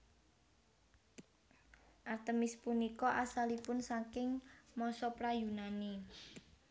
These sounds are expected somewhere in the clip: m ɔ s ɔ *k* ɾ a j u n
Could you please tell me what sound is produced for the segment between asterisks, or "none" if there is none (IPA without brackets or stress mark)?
p